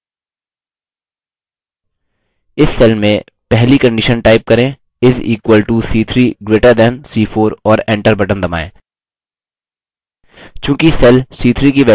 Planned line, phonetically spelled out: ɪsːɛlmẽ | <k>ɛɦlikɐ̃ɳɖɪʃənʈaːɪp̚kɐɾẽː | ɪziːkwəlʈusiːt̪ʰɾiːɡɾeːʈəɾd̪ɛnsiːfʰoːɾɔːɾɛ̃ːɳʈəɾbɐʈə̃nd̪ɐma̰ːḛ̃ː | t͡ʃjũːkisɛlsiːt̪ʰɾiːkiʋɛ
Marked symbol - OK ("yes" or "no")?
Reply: no